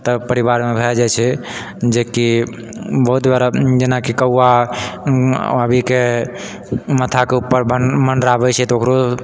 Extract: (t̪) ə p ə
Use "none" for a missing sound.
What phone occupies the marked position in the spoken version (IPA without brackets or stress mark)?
t̪